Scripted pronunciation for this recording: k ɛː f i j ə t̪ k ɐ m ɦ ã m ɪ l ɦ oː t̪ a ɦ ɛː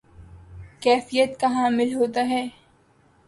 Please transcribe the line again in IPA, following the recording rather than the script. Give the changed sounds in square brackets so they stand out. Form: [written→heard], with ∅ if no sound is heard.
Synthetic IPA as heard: k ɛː f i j ə t̪ k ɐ [m→∅] ɦ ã m ɪ l ɦ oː t̪ a ɦ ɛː